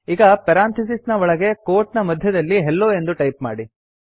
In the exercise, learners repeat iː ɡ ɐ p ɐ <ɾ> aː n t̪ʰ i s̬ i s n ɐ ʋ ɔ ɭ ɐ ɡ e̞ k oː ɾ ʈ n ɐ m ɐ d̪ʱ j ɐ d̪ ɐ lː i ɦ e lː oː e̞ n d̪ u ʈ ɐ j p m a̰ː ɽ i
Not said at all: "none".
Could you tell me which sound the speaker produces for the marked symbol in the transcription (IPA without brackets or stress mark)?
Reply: ɾ